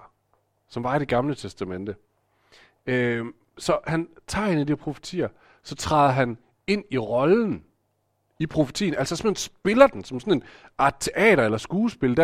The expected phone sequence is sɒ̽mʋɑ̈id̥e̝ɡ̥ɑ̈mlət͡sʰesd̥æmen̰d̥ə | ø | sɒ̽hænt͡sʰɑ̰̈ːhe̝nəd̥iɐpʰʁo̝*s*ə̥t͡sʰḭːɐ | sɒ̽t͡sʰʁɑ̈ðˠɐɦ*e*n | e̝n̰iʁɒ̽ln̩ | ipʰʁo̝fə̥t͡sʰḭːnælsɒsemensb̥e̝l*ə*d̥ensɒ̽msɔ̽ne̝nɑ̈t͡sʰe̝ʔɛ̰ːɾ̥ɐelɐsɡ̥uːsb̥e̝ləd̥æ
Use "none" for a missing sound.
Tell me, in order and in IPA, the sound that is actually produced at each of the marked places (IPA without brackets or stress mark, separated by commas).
f, æ, ɐ